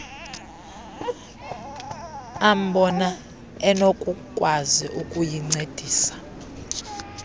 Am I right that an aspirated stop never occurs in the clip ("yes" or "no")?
yes